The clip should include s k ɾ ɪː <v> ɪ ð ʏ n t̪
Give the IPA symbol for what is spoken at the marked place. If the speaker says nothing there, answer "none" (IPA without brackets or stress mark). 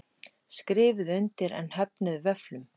v